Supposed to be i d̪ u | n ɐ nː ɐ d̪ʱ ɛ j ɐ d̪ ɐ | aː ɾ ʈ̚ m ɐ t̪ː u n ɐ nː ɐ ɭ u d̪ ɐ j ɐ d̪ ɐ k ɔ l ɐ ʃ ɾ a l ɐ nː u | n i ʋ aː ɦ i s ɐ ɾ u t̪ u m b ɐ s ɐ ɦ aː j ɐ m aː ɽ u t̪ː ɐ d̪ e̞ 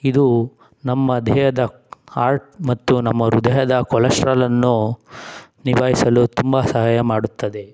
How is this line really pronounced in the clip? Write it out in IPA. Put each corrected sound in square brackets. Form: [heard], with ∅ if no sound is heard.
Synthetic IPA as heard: i d̪ u | n ɐ [mː] ɐ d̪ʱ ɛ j ɐ d̪ ɐ | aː ɾ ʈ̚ m ɐ t̪ː u n ɐ [mː] ɐ [ɾ] u d̪ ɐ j ɐ d̪ ɐ k ɔ l ɐ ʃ ɾ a l ɐ nː u | n i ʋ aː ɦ i s ɐ [l] u t̪ u m b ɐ s ɐ ɦ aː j ɐ m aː ɽ u t̪ː ɐ d̪ e̞